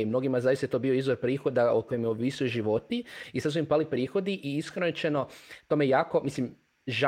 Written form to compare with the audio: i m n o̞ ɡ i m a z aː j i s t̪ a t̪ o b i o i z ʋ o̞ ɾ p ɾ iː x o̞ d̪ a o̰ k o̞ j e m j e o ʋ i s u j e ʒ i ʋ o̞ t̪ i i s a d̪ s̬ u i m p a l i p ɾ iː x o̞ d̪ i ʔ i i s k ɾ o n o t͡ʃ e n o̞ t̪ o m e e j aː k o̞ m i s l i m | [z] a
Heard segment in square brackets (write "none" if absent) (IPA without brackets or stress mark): ʒ